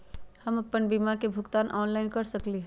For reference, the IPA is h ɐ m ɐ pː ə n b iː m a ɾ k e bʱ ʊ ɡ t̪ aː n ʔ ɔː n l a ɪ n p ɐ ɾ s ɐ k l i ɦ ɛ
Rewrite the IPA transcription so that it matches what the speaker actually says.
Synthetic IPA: h ɐ m ɐ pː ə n b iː m a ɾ k e bʱ ʊ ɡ t̪ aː n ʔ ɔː n l a ɪ n k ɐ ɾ s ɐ k l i ɦ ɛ